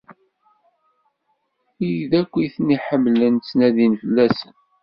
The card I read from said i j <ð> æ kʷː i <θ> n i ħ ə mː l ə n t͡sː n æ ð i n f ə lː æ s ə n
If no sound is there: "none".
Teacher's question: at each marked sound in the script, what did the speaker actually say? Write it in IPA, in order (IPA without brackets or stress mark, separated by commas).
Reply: ð, θ